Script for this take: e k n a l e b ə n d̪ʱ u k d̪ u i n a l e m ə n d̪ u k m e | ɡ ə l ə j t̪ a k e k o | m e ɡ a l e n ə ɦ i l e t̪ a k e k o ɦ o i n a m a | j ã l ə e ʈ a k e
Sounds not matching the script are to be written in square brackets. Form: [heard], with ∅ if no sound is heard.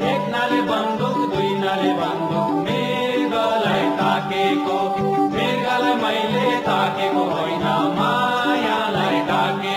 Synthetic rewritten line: e k n a l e b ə n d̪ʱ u k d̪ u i n a l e [b] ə n d̪ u k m e | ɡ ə l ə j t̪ a k e k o | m e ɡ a l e [m] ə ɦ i l e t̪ a k e k o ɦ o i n a m a | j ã l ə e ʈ a k e